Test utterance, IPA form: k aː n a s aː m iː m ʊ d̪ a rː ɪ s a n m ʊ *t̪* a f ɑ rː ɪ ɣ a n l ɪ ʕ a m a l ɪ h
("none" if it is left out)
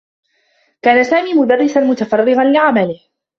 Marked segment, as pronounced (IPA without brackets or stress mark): t̪